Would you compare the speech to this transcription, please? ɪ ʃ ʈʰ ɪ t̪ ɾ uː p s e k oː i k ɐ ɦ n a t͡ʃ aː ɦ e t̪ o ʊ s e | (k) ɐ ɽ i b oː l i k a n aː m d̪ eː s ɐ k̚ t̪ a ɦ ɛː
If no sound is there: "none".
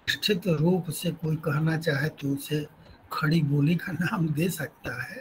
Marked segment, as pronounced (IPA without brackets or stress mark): kʰ